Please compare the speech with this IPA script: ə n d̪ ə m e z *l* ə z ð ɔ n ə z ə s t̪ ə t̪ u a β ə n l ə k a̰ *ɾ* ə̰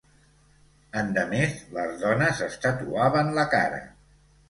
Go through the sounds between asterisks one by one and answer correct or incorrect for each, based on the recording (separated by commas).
correct, correct